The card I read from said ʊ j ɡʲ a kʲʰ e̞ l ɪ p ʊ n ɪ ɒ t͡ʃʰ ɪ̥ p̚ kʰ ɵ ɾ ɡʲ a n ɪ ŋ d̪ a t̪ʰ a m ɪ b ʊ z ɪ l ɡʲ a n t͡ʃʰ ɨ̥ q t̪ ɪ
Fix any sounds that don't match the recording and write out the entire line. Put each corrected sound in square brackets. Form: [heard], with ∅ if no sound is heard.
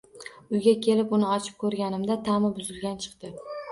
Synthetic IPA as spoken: ʊ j ɡʲ a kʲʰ e̞ l ɪ p ʊ n ɪ ɒ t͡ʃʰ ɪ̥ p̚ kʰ ɵ ɾ ɡʲ a n ɪ [m] d̪ a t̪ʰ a m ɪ b ʊ z ɪ l ɡʲ a n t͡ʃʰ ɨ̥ q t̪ ɪ